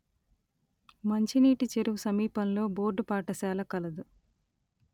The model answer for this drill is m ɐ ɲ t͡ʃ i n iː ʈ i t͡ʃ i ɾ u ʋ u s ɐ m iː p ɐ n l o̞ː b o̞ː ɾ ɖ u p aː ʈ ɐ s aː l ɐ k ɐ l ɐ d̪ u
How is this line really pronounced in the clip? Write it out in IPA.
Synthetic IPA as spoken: m ɐ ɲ t͡ʃ i n iː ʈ i t͡ʃ e ɾ u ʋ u s ɐ m iː p ɐ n l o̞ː b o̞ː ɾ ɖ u p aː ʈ ɐ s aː l ɐ k ɐ l ɐ d̪ u